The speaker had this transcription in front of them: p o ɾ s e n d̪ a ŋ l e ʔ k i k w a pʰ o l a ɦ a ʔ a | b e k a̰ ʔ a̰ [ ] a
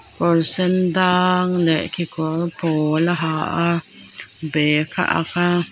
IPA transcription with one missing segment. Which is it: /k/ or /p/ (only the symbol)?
k